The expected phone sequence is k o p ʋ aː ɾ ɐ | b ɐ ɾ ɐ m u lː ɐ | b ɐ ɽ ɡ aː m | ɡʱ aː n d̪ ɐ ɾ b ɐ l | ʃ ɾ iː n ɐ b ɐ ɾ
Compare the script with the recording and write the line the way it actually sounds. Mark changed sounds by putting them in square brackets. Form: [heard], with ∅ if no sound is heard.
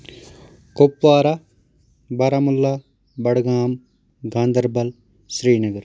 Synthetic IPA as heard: k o p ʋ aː ɾ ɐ | b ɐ ɾ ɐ m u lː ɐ | b ɐ ɽ ɡ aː m | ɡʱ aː n d̪ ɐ ɾ b ɐ l | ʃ ɾ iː n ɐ [ɡ] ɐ ɾ